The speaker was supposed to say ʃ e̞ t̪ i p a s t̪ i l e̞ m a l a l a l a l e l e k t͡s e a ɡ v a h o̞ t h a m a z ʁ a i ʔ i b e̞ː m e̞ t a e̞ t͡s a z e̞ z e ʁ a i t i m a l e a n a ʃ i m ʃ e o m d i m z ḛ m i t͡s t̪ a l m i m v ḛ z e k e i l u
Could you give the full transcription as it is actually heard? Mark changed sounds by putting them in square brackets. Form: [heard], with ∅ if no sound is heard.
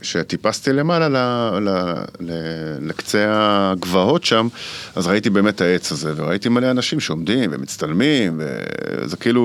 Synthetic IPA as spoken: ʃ e̞ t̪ i p a s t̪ i l e̞ m a l a l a l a l e l e k t͡s e a ɡ v a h o̞ t [ʃ] a m a z ʁ a i [t] i b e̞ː m e̞ t a e̞ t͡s a z e̞ [v] e ʁ a i t i m a l e a n a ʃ i m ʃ e o m d i m [v] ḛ m i t͡s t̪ a l m i m v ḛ z e k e i l u